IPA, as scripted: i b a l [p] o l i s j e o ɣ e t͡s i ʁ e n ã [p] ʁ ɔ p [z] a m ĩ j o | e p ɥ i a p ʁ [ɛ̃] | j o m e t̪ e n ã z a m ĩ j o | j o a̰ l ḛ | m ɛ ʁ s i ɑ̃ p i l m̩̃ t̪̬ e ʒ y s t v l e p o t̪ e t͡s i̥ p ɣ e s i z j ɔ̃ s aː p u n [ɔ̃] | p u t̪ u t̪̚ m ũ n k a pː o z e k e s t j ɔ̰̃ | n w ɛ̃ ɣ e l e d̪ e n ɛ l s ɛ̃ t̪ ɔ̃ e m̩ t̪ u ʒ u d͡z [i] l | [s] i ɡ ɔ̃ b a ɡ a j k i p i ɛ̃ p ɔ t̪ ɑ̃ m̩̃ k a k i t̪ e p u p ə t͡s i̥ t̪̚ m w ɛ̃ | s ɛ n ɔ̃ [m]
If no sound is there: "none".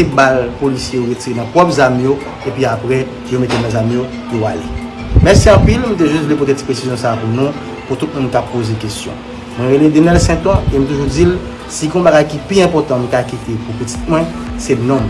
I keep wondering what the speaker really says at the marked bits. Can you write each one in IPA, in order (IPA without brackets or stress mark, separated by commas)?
p, p, z, ɛ, ũ, i, s, m